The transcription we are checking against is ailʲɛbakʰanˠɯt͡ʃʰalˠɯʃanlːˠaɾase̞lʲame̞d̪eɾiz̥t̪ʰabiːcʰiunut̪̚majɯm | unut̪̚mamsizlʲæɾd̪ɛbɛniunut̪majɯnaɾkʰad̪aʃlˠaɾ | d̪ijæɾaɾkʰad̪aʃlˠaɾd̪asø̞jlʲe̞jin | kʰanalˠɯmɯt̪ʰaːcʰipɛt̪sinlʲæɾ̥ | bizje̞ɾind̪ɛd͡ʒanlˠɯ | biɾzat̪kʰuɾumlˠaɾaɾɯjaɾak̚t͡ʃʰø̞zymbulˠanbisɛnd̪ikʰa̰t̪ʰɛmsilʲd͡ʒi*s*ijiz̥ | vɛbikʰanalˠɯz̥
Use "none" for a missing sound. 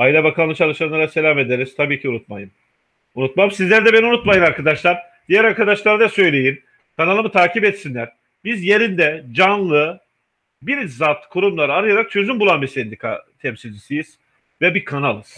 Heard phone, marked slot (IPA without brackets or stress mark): s